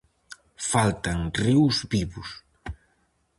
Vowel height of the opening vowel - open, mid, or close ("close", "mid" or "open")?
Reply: open